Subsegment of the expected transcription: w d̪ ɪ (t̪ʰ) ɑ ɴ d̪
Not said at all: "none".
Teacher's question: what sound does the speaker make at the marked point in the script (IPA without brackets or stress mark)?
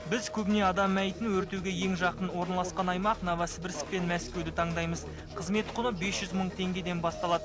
t̪ʰ